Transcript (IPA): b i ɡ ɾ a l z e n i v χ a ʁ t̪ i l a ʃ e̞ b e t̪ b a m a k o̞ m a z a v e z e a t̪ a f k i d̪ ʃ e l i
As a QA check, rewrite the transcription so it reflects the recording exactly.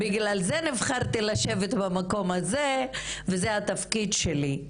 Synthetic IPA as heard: b i ɡ l a l z e n i v χ a ʁ t̪ i l a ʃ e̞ v e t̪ b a m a k o̞ m a z e v e z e a t̪ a f k i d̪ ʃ e l i